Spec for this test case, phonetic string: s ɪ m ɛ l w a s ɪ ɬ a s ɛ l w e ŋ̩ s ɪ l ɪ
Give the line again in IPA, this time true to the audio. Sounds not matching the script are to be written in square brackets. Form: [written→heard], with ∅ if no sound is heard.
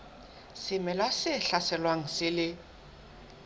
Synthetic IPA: s ɪ m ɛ l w a s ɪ ɬ a s ɛ l w [e→a] ŋ̩ s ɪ l ɪ